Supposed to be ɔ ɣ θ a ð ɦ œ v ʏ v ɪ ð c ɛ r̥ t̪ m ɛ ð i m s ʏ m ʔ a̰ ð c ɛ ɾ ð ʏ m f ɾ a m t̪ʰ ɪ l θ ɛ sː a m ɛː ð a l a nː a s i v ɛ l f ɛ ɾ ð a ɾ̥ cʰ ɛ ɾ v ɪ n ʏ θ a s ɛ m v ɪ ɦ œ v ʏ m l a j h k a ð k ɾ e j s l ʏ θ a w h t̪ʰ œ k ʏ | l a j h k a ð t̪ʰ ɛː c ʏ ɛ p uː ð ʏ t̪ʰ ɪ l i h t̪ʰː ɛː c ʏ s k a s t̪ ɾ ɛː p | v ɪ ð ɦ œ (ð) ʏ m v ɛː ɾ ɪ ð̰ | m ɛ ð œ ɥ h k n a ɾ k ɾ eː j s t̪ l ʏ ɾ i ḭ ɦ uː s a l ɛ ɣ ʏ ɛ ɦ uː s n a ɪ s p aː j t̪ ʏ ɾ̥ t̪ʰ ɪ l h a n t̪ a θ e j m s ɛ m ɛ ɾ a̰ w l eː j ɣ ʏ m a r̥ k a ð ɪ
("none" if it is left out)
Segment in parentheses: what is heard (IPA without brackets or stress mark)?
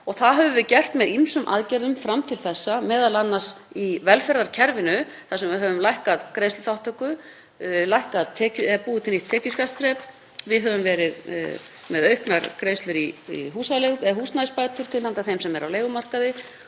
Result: v